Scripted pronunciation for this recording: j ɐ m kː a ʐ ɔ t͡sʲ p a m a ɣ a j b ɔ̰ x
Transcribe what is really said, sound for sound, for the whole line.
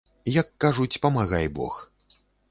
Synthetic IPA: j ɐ kː a ʐ u t͡sʲ p ɐ m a ɣ a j b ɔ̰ x